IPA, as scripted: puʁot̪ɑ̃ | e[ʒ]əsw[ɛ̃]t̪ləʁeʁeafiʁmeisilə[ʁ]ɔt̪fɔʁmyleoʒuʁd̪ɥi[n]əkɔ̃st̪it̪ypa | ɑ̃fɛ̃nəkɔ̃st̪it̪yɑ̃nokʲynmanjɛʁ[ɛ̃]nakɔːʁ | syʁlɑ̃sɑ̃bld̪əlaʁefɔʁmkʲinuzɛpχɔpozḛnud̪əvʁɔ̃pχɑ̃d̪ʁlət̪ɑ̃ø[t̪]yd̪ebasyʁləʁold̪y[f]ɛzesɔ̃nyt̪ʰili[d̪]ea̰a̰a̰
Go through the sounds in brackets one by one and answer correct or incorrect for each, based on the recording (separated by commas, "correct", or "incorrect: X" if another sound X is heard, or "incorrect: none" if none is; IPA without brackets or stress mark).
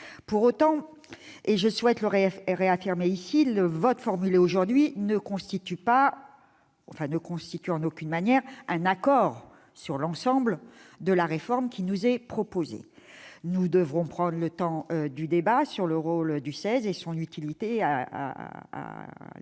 correct, incorrect: ɛ, incorrect: v, correct, correct, incorrect: d̪, incorrect: s, incorrect: t̪